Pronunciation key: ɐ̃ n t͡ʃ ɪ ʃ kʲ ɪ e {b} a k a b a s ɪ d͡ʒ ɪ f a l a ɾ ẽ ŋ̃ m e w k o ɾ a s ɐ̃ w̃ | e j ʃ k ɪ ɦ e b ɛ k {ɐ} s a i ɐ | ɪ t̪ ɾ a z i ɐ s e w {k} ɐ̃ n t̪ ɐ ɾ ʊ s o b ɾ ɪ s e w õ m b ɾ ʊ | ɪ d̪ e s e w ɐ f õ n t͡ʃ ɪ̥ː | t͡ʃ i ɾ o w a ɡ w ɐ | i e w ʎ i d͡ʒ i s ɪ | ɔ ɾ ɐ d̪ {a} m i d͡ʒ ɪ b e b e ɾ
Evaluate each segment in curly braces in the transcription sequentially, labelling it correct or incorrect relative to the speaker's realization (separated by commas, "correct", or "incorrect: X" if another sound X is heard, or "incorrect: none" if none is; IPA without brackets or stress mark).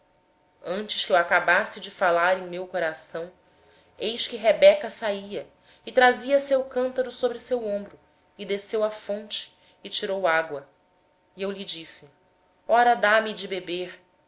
incorrect: w, correct, correct, correct